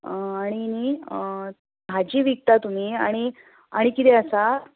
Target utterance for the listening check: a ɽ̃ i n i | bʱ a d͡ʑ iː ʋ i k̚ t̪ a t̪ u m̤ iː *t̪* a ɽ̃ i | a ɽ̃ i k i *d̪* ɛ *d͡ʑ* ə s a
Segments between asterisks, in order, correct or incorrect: incorrect: none, incorrect: t̪, incorrect: none

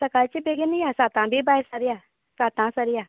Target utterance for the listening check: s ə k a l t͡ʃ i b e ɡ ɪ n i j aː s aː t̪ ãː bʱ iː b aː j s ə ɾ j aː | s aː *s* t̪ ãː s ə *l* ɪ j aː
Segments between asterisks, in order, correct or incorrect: incorrect: none, incorrect: ɾ

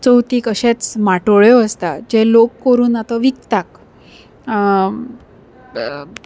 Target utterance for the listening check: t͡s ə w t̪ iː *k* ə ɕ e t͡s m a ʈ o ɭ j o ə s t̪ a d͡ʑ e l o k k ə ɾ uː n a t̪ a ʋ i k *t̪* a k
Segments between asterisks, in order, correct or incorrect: correct, correct

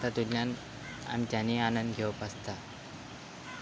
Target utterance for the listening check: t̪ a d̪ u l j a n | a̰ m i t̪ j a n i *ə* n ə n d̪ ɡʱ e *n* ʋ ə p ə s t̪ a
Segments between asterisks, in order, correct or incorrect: incorrect: a, incorrect: none

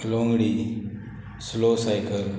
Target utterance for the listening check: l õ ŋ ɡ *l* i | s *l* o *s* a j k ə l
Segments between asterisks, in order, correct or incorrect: incorrect: ɽ, correct, correct

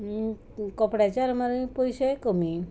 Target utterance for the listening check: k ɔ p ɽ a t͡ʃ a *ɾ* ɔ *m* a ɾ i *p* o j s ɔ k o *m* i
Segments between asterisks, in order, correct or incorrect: correct, correct, correct, correct

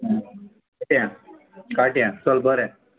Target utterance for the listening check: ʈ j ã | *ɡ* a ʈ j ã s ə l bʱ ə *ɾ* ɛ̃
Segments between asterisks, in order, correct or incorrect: incorrect: k, correct

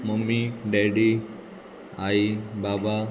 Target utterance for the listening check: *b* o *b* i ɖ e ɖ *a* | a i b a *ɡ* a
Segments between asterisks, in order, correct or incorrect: incorrect: m, incorrect: m, incorrect: i, incorrect: b

